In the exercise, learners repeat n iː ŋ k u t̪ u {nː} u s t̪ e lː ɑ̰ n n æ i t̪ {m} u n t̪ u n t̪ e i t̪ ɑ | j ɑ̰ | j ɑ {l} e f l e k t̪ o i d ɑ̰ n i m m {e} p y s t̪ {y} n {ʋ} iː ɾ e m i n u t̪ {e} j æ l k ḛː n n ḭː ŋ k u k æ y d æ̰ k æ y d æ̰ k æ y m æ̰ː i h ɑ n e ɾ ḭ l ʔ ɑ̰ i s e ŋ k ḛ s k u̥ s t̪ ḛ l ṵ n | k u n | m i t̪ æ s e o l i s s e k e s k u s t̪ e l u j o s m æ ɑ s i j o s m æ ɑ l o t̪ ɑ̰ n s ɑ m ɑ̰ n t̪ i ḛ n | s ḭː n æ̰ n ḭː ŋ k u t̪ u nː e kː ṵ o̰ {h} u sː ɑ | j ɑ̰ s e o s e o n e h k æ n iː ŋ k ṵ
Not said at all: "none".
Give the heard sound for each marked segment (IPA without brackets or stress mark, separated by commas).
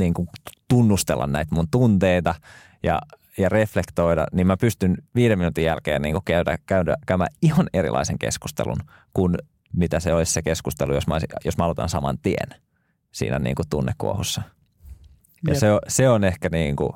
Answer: nː, m, r, æ, y, ʋ, i, h